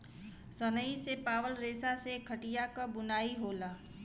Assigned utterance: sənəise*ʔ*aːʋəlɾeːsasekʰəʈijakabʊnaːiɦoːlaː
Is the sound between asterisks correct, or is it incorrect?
incorrect